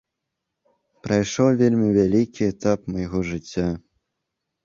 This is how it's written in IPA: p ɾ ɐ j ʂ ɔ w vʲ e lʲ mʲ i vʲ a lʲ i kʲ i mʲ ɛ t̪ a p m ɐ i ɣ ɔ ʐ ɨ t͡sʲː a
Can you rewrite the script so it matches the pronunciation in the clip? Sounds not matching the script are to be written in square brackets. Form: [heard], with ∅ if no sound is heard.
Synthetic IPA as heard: p ɾ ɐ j ʂ ɔ w vʲ e lʲ mʲ i vʲ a lʲ i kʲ i [∅] ɛ t̪ a p m ɐ [j] ɣ ɔ ʐ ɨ t͡sʲː a

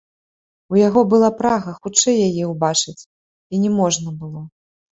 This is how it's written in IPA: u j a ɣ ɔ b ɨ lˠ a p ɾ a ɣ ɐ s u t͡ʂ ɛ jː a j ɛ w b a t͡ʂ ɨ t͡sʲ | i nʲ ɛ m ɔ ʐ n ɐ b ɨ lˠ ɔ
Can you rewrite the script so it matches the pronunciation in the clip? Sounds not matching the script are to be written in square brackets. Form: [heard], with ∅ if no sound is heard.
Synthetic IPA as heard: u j a ɣ ɔ b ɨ lˠ a p ɾ a ɣ ɐ [x] u t͡ʂ ɛ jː a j ɛ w b a t͡ʂ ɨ t͡sʲ | i nʲ ɛ m ɔ ʐ n ɐ b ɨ lˠ ɔ

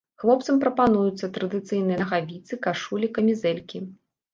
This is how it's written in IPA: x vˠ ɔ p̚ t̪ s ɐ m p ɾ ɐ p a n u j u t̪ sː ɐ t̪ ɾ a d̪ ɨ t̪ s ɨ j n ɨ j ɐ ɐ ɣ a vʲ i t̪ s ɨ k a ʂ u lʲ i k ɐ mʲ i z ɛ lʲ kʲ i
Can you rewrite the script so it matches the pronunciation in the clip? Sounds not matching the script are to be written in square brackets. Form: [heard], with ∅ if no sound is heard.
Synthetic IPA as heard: x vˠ ɔ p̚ t̪ s ɐ m p ɾ ɐ p a n u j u t̪ sː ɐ t̪ ɾ [ɐ] d̪ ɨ t̪ s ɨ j n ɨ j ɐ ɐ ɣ a vʲ i t̪ s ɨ k a ʂ u lʲ i k ɐ mʲ i z ɛ lʲ kʲ i

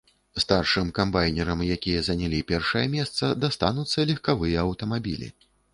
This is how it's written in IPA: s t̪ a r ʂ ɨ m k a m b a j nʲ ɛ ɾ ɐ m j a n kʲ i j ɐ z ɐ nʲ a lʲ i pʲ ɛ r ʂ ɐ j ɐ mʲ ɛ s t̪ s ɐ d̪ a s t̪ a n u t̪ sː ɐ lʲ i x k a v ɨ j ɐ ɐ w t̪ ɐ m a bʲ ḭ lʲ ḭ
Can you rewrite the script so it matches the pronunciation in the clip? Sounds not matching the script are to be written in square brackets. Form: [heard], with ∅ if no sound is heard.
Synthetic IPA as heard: s t̪ a r ʂ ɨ m k a m b a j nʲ ɛ ɾ ɐ m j a [∅] kʲ i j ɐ z ɐ nʲ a lʲ i pʲ ɛ r ʂ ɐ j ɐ mʲ ɛ s t̪ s ɐ d̪ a s t̪ a n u t̪ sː ɐ lʲ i x k a v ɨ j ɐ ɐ w t̪ ɐ m a bʲ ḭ lʲ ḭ

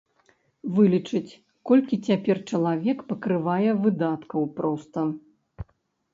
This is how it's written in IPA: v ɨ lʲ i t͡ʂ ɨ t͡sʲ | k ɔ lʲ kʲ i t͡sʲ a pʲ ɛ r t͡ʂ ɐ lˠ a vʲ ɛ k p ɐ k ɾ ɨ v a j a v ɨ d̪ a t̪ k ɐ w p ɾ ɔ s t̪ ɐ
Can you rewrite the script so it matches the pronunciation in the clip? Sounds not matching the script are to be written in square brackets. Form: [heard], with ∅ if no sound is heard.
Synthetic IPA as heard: v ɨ lʲ i t͡ʂ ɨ t͡sʲ | k ɔ lʲ kʲ i t͡sʲ a pʲ ɛ r t͡ʂ ɐ lˠ a vʲ ɛ k p ɐ k ɾ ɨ v a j [ɛ] v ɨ d̪ a t̪ k ɐ w p ɾ ɔ s t̪ ɐ

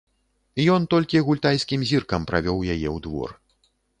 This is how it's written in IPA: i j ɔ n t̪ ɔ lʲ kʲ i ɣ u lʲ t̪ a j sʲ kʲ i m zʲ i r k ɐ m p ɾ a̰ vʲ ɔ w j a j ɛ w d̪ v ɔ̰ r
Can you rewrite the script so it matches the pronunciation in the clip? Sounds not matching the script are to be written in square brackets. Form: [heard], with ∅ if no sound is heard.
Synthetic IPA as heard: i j ɔ n t̪ ɔ lʲ kʲ i ɣ u lʲ t̪ a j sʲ kʲ i m zʲ i r k ɐ m p ɾ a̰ vʲ ɔ w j a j ɛ w d̪ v ɔ̰ r

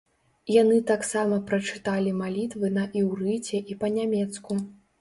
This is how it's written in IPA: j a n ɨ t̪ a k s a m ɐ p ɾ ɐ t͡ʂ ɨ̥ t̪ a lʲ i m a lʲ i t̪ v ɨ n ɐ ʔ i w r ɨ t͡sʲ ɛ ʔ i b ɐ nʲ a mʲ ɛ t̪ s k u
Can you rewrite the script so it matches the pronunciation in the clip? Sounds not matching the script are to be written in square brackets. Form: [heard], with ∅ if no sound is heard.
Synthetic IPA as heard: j a n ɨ t̪ a k s a m ɐ p ɾ ɐ t͡ʂ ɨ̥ t̪ a lʲ i m a lʲ i t̪ v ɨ n ɐ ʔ i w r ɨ t͡sʲ ɛ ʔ i [p] ɐ nʲ a mʲ ɛ t̪ s k u

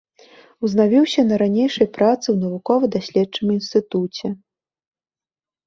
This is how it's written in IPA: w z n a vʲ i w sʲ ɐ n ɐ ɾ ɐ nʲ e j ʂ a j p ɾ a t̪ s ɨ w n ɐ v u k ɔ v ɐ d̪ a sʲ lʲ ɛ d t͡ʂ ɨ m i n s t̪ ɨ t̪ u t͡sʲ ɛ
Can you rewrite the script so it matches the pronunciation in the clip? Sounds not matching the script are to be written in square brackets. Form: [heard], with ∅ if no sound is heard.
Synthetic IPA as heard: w z n a vʲ i w sʲ ɐ n ɐ ɾ [a] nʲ e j ʂ [ɐ] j p ɾ a t̪ s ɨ w n ɐ v u k ɔ v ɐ d̪ a sʲ lʲ ɛ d t͡ʂ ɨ m i n s t̪ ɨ t̪ u t͡sʲ ɛ

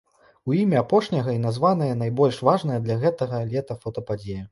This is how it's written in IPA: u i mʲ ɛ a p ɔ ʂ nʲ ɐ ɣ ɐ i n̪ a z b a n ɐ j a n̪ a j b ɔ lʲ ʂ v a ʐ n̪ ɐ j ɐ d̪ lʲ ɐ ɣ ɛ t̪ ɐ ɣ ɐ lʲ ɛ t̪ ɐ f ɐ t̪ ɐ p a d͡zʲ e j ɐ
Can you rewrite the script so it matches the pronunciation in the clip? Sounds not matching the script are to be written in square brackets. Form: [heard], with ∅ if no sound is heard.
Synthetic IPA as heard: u i mʲ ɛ a p ɔ ʂ nʲ ɐ ɣ ɐ i n̪ a z [v] a n ɐ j [ɐ] n̪ a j b ɔ lʲ ʂ v a ʐ n̪ ɐ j ɐ d̪ lʲ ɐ ɣ ɛ t̪ ɐ ɣ ɐ lʲ ɛ t̪ ɐ f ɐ t̪ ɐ p a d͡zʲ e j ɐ

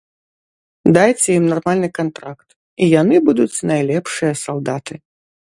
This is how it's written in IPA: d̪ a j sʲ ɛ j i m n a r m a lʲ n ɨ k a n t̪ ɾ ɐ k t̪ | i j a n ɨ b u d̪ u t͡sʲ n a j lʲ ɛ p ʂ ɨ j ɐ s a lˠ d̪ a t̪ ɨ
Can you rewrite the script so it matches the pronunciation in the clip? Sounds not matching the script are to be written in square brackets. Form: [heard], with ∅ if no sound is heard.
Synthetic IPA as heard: d̪ a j [t͡sʲ] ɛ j i m n a r m a lʲ n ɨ k a n t̪ ɾ [a] k t̪ | i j a n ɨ b u d̪ u t͡sʲ n a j lʲ ɛ p ʂ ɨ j ɐ s a lˠ d̪ a t̪ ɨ

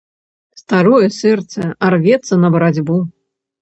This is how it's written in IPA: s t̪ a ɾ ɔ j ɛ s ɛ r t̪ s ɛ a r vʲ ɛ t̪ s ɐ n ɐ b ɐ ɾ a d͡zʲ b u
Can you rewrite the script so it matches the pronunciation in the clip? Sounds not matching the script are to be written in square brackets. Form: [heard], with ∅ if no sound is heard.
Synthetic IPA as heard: s t̪ a ɾ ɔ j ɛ s ɛ r t̪ s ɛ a r vʲ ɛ t̪ s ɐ n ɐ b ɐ ɾ a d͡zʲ b u

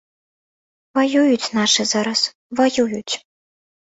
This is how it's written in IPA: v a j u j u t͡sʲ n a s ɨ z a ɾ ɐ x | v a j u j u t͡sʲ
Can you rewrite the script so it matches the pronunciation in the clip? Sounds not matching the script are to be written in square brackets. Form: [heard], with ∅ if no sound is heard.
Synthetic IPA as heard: v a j u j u t͡sʲ n a [ʂ] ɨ z a ɾ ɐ [s] | v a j u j u t͡sʲ

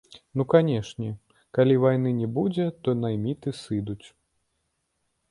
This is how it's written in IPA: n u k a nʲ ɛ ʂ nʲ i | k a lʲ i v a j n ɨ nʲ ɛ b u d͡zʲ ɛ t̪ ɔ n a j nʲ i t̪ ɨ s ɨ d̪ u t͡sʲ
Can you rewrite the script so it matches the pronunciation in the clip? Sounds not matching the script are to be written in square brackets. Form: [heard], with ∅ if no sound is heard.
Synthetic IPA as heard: n u k a nʲ ɛ ʂ nʲ [ɛ] | k a lʲ i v a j n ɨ nʲ ɛ b u d͡zʲ ɛ t̪ ɔ n a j [mʲ] i t̪ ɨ s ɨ d̪ u t͡sʲ

